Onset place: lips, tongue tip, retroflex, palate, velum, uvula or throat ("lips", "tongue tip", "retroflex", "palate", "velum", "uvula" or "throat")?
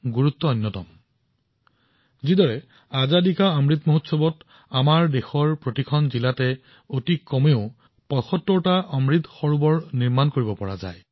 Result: velum